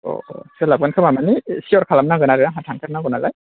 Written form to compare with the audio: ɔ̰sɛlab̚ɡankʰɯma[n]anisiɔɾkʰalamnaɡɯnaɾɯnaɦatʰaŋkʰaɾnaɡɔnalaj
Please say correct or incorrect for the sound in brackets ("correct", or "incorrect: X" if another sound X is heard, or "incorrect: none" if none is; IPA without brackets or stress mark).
incorrect: m